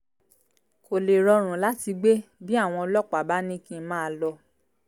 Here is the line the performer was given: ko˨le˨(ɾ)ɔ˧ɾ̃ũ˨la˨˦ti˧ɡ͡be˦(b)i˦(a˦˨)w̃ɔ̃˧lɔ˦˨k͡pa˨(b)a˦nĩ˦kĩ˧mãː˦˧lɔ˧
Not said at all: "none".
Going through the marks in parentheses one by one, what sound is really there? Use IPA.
ɾ, b, a˦˨, b

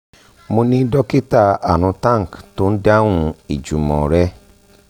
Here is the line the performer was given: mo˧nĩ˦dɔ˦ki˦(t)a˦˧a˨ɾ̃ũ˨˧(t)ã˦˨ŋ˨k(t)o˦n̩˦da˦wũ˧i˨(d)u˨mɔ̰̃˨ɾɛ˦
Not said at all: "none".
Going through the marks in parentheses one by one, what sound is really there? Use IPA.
t, t, t, d͡ʒ

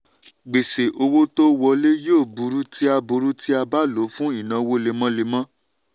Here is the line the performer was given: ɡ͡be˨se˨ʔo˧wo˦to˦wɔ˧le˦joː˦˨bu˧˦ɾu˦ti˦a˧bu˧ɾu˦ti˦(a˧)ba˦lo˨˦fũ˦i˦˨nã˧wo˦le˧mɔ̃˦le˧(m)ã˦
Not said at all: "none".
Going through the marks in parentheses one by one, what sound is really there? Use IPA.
a˧, m

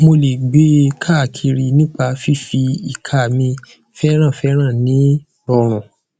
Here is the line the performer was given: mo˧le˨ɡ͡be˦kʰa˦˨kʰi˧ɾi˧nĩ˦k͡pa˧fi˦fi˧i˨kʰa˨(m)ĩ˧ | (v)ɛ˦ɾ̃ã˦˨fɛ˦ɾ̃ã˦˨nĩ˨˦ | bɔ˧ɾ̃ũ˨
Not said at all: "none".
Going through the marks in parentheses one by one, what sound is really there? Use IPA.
m, f

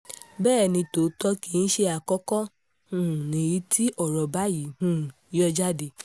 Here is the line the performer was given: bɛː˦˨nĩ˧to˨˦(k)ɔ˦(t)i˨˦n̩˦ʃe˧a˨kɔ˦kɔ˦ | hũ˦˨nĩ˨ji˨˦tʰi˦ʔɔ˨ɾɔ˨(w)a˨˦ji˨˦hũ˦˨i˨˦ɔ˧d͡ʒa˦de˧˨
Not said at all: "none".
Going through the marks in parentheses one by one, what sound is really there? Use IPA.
t, k, b

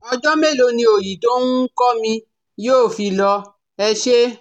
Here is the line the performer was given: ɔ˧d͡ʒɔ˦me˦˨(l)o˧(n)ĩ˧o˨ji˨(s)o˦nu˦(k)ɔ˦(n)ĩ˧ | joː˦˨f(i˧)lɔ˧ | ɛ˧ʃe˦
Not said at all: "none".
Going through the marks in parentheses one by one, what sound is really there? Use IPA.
l, n, t, k, m, i˧

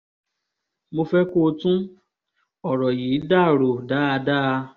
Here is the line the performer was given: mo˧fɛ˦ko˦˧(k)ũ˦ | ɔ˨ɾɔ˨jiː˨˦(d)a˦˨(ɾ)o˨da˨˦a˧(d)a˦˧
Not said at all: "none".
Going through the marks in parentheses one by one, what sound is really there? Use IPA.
t, d, ɾ, d

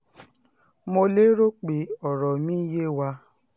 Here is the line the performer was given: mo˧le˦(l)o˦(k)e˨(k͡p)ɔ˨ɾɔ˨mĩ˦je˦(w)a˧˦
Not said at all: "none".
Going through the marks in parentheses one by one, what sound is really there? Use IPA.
ɾ, k͡p, none, w

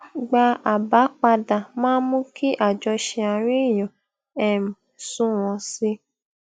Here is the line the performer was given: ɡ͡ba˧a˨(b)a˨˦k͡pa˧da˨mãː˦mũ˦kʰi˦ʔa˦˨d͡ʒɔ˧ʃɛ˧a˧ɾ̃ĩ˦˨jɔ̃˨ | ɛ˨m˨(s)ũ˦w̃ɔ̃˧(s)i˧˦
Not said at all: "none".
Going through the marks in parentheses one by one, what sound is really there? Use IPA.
b, s, s

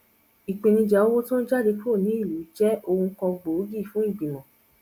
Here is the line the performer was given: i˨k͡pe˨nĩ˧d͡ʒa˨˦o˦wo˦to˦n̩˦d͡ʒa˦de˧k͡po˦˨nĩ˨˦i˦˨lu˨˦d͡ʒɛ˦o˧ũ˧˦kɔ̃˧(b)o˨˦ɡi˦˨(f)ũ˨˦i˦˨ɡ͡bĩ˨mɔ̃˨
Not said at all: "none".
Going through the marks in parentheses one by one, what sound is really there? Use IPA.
ɡ͡b, f

